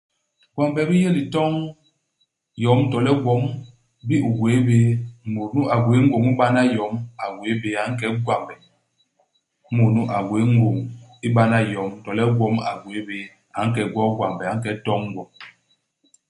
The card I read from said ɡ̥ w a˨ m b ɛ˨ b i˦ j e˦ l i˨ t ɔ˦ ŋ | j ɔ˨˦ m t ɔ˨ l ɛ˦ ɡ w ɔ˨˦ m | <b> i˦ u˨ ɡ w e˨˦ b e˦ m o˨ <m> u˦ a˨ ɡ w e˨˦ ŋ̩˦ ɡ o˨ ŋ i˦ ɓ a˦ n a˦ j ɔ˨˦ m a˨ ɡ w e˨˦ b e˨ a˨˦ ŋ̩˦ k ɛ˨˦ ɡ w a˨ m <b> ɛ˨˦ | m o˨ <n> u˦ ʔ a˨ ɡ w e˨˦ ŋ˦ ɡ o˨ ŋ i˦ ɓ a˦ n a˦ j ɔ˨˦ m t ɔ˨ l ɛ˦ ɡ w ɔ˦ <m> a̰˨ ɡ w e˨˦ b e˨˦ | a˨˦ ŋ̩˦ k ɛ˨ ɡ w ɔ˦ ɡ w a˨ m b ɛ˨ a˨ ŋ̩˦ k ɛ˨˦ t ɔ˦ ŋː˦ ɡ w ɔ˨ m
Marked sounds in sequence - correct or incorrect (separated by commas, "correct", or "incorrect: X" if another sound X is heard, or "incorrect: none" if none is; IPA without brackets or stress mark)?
correct, incorrect: n, correct, correct, correct